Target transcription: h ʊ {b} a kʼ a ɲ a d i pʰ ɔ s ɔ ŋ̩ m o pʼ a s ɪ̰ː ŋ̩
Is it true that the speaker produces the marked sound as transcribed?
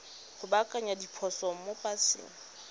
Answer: yes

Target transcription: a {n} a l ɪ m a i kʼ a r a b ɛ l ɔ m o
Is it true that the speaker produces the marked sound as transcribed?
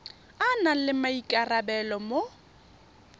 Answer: yes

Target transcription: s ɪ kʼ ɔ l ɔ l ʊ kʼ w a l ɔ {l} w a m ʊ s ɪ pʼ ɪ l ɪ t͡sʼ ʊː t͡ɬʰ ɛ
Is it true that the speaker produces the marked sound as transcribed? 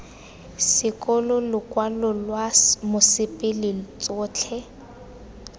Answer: yes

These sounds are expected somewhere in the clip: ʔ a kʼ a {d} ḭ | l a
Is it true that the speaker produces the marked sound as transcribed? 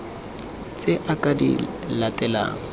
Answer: yes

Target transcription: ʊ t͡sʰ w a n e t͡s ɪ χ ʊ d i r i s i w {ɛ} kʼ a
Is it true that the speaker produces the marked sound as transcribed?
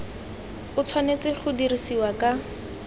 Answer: no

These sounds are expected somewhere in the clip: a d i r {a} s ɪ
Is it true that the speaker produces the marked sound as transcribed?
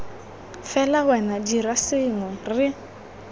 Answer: yes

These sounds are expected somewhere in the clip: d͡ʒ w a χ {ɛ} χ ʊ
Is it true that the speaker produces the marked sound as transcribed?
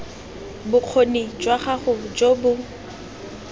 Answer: no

